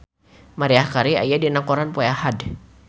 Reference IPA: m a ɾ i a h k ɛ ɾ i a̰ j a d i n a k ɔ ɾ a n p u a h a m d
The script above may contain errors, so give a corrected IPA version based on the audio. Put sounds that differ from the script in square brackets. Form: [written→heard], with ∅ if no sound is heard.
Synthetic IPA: m a ɾ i a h k [ɛ→a] ɾ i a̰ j a d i n a k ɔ ɾ a n p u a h a [m→∅] d